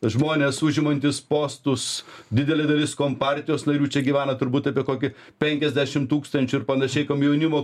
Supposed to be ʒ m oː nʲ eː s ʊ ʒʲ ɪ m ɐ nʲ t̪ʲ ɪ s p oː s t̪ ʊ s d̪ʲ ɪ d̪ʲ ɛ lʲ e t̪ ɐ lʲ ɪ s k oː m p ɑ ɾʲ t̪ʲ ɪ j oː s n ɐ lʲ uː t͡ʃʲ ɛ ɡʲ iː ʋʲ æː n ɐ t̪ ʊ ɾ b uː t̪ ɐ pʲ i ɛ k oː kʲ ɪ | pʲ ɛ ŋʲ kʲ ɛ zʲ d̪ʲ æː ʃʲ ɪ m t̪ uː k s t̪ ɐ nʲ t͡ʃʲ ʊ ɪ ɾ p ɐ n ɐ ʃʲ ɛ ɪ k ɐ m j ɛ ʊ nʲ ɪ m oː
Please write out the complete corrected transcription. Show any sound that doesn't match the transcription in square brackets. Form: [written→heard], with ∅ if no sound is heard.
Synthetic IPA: ʒ m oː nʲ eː s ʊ ʒʲ ɪ m ɐ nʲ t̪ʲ ɪ s p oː s t̪ ʊ s d̪ʲ ɪ d̪ʲ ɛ lʲ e [t̪→d̪] ɐ lʲ ɪ s k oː m p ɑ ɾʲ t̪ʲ ɪ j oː s n ɐ [lʲ→ɾʲ] uː t͡ʃʲ ɛ ɡʲ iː ʋʲ æː n ɐ t̪ ʊ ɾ b uː t̪ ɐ pʲ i ɛ k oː kʲ ɪ | pʲ ɛ ŋʲ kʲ ɛ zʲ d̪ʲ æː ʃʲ ɪ m t̪ uː k s t̪ ɐ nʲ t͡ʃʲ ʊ ɪ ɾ p ɐ n ɐ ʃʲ ɛ ɪ k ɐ m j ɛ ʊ nʲ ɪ m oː

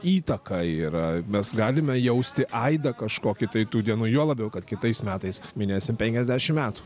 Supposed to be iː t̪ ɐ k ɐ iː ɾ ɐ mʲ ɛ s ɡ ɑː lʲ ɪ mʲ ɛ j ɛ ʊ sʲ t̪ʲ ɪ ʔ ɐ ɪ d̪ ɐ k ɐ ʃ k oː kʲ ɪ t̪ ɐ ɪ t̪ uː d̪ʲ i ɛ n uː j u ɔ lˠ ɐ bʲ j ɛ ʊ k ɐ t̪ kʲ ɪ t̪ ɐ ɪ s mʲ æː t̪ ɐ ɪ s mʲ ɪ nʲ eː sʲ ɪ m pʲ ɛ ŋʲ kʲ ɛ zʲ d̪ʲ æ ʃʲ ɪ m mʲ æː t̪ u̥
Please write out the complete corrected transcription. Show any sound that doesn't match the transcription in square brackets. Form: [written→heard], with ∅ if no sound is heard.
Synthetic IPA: iː t̪ ɐ k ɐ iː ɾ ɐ mʲ ɛ s ɡ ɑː lʲ ɪ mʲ ɛ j ɛ ʊ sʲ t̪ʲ ɪ ʔ ɐ ɪ d̪ ɐ k ɐ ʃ k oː kʲ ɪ t̪ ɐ ɪ t̪ uː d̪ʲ i ɛ n uː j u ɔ lˠ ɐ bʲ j ɛ ʊ k ɐ t̪ kʲ ɪ t̪ ɐ ɪ s mʲ æː t̪ ɐ ɪ s mʲ ɪ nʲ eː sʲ ɪ m pʲ ɛ ŋʲ kʲ ɛ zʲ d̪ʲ æ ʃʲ ɪ m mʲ æː t̪ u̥

